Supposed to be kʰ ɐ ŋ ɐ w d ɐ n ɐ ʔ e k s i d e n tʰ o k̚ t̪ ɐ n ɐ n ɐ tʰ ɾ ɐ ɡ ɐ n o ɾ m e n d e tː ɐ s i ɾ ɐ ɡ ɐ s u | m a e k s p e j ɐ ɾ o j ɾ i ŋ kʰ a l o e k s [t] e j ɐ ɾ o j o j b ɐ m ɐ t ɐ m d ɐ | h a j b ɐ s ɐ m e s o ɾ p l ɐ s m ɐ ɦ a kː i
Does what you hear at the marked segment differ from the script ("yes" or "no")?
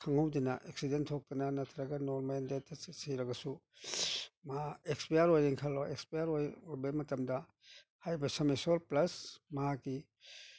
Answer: yes